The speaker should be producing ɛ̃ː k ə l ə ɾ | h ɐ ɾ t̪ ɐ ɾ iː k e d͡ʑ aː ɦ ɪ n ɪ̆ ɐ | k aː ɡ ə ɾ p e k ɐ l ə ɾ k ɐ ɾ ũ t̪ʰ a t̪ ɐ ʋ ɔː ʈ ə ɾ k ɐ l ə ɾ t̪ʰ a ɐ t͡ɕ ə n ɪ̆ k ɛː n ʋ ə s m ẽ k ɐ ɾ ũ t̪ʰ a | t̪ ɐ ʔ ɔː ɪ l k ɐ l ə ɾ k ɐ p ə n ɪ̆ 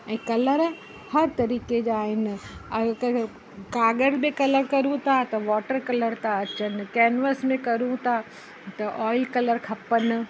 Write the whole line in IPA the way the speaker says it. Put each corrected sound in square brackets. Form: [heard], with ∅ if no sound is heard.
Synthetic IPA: ɛ̃ː k [ɐ] l ə ɾ | h ɐ ɾ t̪ ɐ ɾ iː k e d͡ʑ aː ɦ ɪ n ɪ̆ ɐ | k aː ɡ ə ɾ [b] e k ɐ l ə ɾ k ɐ ɾ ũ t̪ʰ a t̪ ɐ ʋ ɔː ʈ ə ɾ k ɐ l ə ɾ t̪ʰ a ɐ t͡ɕ ə n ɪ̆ k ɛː n ʋ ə s m ẽ k ɐ ɾ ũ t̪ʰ a | t̪ ɐ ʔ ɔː ɪ l k ɐ l ə ɾ [kʰ] ɐ p ə n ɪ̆